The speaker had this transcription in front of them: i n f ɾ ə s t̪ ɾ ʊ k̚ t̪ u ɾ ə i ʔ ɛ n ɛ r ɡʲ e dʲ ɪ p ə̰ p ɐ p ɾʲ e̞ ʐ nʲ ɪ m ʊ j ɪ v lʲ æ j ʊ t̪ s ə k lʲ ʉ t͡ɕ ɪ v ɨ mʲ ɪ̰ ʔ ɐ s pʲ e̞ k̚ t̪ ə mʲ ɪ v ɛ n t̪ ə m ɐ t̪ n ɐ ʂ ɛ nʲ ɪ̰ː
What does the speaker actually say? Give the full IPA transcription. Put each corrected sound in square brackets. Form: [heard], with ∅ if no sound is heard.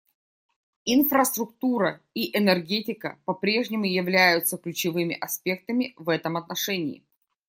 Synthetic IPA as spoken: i n f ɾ ə s t̪ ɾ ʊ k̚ t̪ u ɾ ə i ʔ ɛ n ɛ r ɡʲ e [tʲ] ɪ [k] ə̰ p ɐ p ɾʲ e̞ ʐ nʲ ɪ m ʊ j ɪ v lʲ æ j ʊ t̪ s ə k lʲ ʉ t͡ɕ ɪ v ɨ mʲ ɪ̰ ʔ ɐ s pʲ e̞ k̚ t̪ ə mʲ ɪ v ɛ [∅] t̪ ə m ɐ t̪ n ɐ ʂ ɛ nʲ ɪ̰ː

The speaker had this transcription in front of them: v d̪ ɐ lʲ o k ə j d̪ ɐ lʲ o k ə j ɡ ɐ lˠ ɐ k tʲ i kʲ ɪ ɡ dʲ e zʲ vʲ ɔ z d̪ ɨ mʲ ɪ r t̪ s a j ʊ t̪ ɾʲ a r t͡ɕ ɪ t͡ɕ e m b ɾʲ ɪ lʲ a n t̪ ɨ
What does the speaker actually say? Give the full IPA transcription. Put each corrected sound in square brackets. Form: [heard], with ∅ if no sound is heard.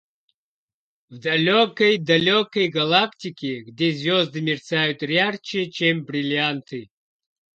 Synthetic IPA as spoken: v d̪ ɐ lʲ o k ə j d̪ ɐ lʲ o k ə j ɡ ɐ lˠ [a] k tʲ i kʲ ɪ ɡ dʲ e zʲ vʲ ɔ z d̪ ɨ mʲ ɪ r t̪ s a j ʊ t̪ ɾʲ a r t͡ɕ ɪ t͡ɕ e m b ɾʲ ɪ lʲ a n t̪ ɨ

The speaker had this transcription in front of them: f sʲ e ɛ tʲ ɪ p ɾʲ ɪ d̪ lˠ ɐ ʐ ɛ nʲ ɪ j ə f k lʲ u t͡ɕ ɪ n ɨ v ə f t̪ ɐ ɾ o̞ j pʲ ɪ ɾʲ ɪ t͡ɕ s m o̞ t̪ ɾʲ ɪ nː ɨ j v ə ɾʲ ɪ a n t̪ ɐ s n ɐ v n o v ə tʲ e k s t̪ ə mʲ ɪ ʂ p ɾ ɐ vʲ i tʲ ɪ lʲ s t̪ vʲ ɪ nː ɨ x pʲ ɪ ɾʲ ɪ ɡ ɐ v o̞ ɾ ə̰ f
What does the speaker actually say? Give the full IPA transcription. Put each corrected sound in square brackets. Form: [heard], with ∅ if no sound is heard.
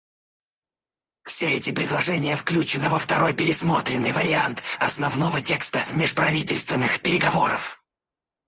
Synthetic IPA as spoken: f sʲ e ɛ tʲ ɪ p ɾʲ ɪ d̪ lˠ ɐ ʐ ɛ nʲ ɪ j ə f k lʲ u t͡ɕ ɪ n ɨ v ə f t̪ ɐ ɾ o̞ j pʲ ɪ ɾʲ ɪ [∅] s m o̞ t̪ ɾʲ ɪ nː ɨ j v ə ɾʲ ɪ a n t̪ ɐ s n ɐ v n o v ə tʲ e k s t̪ ə mʲ ɪ ʂ p ɾ ɐ vʲ i tʲ ɪ lʲ s t̪ vʲ ɪ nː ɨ x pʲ ɪ ɾʲ ɪ ɡ ɐ v o̞ ɾ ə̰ f

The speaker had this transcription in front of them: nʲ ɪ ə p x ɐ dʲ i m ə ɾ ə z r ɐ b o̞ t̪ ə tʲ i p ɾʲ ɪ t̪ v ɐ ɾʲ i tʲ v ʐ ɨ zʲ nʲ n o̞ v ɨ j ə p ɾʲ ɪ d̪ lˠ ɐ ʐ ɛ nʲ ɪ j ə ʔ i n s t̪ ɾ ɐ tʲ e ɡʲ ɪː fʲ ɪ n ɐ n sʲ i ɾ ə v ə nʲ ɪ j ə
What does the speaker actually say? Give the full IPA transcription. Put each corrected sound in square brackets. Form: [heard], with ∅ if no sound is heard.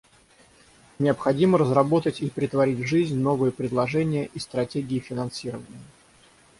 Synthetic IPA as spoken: nʲ ɪ ə p x ɐ dʲ i m ə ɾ ə z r ɐ b o̞ t̪ ə tʲ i p ɾʲ ɪ t̪ v ɐ ɾʲ i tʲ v ʐ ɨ zʲ nʲ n o̞ v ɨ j ə p ɾʲ ɪ d̪ lˠ ɐ ʐ ɛ nʲ ɪ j ə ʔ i [∅] s t̪ ɾ ɐ tʲ e ɡʲ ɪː fʲ ɪ n ɐ n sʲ i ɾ ə v ə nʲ ɪ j ə

